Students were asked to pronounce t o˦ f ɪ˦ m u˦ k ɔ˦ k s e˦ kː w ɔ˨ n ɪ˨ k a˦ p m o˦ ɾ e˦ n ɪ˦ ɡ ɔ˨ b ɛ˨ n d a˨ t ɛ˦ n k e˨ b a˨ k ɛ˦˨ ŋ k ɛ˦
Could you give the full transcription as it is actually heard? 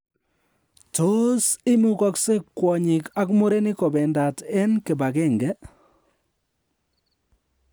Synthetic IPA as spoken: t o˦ s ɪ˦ m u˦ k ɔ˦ k s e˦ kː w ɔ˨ ɲ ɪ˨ k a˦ k m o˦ ɾ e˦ n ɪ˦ k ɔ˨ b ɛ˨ n d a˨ t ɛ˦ n k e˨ b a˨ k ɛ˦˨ ŋ ɡ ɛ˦